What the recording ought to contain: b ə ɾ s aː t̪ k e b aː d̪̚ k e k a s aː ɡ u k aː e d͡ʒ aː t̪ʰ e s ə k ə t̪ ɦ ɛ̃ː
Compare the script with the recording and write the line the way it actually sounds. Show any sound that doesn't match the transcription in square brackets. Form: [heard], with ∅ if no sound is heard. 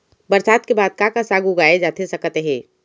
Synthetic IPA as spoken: b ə ɾ s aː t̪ k e b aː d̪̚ k [a] k a s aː ɡ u [ɡ] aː e d͡ʒ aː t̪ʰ e s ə k ə t̪ ɦ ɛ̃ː